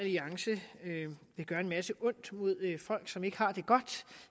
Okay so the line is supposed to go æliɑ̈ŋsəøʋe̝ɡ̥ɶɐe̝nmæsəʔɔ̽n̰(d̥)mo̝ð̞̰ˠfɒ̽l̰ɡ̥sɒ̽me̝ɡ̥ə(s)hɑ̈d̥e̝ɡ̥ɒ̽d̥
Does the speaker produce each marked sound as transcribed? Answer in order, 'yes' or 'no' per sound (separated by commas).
yes, no